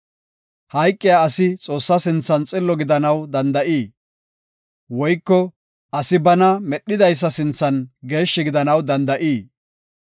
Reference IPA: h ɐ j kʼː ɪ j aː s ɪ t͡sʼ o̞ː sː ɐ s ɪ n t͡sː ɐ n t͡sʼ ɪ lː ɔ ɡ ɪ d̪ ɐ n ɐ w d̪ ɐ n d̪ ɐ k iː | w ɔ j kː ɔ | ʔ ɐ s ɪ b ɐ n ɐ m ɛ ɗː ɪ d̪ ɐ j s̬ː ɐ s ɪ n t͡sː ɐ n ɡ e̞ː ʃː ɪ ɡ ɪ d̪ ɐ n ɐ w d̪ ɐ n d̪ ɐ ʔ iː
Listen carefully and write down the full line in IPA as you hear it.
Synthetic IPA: h ɐ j kʼː ɪ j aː s ɪ t͡sʼ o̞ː sː ɐ s ɪ n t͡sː ɐ n t͡sʼ ɪ lː ɔ ɡ ɪ d̪ ɐ n ɐ w d̪ ɐ n d̪ ɐ ʔ iː | w ɔ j kː ɔ | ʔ ɐ s ɪ b ɐ n ɐ m ɛ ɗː ɪ d̪ ɐ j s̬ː ɐ s ɪ n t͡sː ɐ n ɡ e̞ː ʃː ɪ ɡ ɪ d̪ ɐ n ɐ w d̪ ɐ n d̪ ɐ ʔ iː